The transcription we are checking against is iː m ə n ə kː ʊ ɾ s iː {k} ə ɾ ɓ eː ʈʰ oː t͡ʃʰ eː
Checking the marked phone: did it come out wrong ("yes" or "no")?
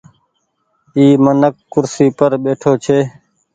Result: yes